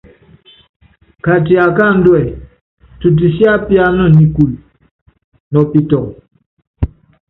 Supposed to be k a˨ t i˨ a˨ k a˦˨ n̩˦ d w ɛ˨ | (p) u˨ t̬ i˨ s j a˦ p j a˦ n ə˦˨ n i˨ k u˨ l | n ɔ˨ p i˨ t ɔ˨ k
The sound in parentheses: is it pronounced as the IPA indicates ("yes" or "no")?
no